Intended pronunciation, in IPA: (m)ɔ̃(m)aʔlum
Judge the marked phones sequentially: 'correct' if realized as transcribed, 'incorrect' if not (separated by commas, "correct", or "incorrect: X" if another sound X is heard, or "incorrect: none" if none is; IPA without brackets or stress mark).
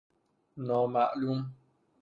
incorrect: n, correct